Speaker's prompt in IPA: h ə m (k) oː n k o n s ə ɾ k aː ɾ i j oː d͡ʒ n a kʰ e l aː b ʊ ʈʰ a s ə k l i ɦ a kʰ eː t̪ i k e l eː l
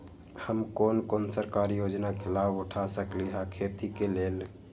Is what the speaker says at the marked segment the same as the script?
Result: yes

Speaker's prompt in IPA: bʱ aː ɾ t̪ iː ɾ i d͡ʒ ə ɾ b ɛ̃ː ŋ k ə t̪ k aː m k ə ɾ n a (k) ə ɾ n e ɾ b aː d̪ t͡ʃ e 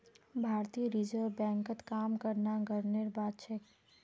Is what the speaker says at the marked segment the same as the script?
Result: no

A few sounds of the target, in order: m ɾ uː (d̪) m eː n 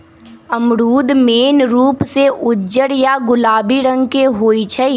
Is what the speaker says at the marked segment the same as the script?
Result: yes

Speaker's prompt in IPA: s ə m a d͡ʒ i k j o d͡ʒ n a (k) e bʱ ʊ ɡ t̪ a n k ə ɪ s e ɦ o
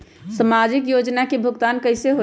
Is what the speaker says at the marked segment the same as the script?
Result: yes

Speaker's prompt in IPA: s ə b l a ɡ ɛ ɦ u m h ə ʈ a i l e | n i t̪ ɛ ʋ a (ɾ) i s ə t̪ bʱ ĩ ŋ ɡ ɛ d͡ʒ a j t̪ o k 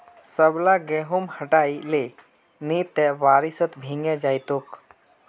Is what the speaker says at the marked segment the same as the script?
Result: yes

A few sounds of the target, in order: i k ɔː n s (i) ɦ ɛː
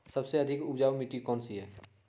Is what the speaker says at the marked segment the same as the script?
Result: yes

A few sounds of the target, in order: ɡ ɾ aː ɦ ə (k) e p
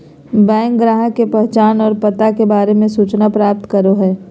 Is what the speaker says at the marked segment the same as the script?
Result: yes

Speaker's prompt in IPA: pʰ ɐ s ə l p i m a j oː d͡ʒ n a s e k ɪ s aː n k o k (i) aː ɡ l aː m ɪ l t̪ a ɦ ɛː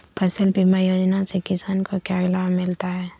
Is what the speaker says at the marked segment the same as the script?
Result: no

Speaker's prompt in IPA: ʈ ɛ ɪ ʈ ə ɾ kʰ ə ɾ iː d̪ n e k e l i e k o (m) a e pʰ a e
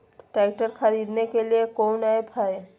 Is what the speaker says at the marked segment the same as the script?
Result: no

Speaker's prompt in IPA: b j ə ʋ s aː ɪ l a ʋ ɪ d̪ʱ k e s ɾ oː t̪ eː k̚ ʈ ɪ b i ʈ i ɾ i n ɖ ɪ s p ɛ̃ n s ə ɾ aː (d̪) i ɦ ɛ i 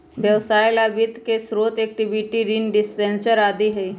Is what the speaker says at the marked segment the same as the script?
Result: yes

